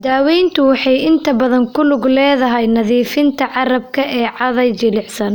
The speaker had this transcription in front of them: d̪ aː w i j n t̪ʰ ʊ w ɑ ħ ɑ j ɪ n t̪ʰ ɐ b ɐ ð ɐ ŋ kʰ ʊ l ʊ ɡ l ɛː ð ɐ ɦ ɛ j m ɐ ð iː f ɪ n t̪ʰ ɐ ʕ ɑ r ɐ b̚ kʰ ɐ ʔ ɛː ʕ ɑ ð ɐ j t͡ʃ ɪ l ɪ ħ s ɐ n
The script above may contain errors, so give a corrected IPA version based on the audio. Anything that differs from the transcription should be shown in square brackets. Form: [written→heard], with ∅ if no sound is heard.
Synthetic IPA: d̪ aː w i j n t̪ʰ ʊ w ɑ ħ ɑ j ɪ n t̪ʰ ɐ b ɐ ð ɐ ŋ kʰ ʊ l ʊ ɡ l ɛː ð ɐ ɦ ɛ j [m→n] ɐ ð iː f ɪ n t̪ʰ ɐ ʕ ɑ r ɐ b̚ kʰ ɐ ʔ ɛː ʕ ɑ ð ɐ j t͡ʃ ɪ l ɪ ħ s ɐ n